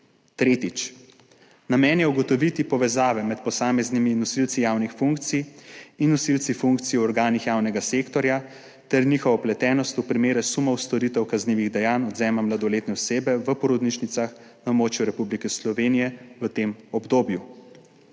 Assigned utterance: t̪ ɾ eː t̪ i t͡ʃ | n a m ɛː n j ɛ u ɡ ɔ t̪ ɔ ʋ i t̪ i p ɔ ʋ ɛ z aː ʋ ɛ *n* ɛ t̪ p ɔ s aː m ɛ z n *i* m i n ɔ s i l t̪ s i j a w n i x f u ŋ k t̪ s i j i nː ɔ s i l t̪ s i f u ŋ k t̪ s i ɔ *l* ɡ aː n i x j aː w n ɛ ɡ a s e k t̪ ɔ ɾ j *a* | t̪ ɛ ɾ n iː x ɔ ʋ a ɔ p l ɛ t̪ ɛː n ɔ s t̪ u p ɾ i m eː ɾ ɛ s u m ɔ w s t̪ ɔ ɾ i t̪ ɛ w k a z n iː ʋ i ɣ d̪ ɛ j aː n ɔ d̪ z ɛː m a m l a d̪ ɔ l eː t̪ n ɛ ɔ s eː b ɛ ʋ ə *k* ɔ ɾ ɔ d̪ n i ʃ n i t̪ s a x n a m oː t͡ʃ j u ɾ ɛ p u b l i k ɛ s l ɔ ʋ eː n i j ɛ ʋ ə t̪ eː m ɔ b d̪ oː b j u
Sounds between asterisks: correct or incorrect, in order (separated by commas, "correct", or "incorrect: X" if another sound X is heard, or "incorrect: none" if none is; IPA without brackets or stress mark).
incorrect: m, correct, incorrect: ɾ, correct, incorrect: p